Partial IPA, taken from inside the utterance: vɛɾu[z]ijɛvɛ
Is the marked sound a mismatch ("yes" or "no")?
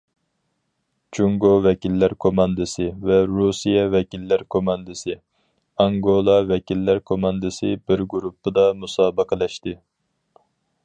yes